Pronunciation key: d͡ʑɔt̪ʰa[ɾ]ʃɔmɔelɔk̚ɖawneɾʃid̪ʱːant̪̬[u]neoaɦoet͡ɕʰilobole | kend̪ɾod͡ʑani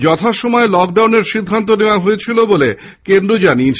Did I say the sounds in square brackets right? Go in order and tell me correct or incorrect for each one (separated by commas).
incorrect, incorrect